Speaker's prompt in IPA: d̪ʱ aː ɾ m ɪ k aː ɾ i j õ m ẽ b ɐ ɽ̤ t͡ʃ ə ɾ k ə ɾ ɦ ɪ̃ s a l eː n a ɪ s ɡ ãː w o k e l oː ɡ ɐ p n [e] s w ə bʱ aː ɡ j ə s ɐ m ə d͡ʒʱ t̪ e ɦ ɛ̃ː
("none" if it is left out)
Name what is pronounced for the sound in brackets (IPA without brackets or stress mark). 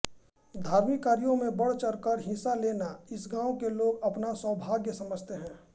a